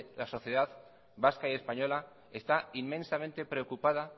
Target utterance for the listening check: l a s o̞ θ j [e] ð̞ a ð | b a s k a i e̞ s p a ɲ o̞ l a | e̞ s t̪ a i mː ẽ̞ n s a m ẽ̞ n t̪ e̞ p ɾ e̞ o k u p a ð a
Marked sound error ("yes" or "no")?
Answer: no